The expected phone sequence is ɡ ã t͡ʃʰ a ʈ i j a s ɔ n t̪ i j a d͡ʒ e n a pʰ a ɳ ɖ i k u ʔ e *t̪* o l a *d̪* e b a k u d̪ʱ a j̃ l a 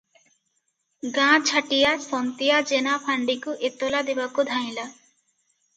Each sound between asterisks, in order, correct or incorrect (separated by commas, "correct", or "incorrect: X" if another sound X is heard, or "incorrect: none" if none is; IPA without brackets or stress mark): correct, correct